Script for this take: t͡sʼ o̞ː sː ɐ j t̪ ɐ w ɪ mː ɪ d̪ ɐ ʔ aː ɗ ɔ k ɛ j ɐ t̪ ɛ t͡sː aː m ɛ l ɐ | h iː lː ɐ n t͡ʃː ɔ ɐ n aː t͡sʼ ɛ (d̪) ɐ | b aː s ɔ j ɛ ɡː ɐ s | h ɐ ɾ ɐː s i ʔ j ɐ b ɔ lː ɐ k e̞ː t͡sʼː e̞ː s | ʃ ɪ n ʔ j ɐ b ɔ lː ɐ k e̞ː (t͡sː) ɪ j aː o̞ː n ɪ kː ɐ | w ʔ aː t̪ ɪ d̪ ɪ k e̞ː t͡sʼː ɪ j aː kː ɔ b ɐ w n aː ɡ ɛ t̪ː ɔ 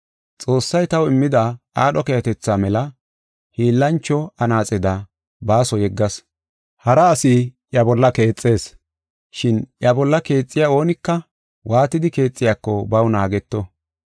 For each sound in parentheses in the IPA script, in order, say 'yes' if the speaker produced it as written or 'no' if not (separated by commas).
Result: yes, no